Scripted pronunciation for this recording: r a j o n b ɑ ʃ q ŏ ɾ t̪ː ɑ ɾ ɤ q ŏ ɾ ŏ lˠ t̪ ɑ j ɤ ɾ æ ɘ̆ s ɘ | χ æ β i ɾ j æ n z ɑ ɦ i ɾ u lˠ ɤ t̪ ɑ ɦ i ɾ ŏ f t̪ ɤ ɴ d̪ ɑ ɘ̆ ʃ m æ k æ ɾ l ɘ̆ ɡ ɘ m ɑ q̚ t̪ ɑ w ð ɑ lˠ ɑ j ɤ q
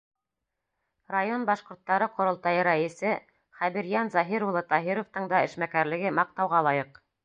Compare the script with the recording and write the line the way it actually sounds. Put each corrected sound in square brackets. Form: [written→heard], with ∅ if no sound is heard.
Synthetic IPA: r a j o n b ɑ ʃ q ŏ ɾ t̪ː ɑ ɾ ɤ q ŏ ɾ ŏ lˠ t̪ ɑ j ɤ ɾ æ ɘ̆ s ɘ | χ æ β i ɾ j æ n z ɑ ɦ i ɾ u lˠ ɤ t̪ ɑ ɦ i ɾ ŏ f t̪ ɤ ɴ d̪ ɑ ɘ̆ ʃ m æ k æ ɾ l ɘ̆ ɡ ɘ m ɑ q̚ t̪ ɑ w [ð→ʁ] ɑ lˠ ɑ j ɤ q